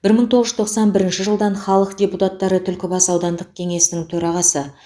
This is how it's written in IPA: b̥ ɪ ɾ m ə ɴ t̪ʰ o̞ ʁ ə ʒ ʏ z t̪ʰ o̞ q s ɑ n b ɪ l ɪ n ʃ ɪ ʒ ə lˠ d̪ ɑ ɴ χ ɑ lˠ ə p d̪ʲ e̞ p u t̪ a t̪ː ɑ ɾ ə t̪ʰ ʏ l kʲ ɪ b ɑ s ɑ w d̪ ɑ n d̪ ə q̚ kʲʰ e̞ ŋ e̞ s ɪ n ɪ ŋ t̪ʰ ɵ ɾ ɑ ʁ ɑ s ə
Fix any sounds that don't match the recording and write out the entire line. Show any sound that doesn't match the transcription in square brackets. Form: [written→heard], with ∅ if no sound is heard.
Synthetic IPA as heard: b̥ ɪ ɾ m ə ɴ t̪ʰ o̞ ʁ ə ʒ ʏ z t̪ʰ o̞ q s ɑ n b ɪ [l→ɾ] ɪ n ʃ ɪ ʒ ə lˠ d̪ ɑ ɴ χ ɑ lˠ ə [p→q] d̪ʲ e̞ p u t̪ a t̪ː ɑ ɾ ə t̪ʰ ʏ l kʲ ɪ b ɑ s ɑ w d̪ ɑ n d̪ ə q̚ kʲʰ e̞ ŋ e̞ s ɪ n ɪ ŋ t̪ʰ ɵ ɾ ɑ ʁ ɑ s ə